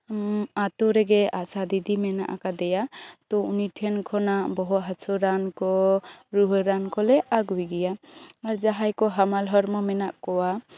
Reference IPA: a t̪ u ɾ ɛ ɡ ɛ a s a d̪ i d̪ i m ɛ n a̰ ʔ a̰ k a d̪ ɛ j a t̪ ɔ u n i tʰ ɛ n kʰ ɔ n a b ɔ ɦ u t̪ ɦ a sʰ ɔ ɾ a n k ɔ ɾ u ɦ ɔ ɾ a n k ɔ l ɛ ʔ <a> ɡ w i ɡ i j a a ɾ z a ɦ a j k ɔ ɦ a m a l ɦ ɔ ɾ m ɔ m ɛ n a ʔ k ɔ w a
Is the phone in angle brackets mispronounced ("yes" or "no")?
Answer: no